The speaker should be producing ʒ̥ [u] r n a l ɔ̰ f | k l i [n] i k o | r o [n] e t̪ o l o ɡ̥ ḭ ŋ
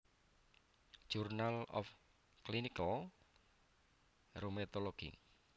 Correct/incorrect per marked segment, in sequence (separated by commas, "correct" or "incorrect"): correct, correct, incorrect